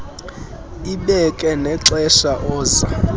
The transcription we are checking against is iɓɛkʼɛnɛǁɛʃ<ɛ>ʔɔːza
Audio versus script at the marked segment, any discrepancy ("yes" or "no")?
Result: yes